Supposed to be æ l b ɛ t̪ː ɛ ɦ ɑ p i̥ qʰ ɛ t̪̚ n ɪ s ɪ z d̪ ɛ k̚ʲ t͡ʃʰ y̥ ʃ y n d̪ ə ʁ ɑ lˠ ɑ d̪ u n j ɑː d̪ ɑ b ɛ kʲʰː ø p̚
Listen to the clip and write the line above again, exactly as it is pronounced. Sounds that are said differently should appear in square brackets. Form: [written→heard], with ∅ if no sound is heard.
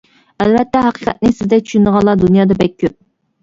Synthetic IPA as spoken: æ l [b→v] ɛ t̪ː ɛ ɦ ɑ [p→q] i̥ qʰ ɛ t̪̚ n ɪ s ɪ z d̪ ɛ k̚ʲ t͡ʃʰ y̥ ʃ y n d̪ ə ʁ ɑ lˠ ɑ d̪ u n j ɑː d̪ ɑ b ɛ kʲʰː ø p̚